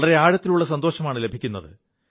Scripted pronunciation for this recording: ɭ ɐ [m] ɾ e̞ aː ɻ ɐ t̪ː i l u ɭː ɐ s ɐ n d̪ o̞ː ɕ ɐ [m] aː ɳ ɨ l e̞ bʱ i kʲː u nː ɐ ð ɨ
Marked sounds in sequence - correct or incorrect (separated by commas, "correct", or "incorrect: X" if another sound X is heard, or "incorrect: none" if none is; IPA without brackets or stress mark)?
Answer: incorrect: none, correct